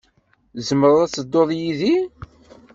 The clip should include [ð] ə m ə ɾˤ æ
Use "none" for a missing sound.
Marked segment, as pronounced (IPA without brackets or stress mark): z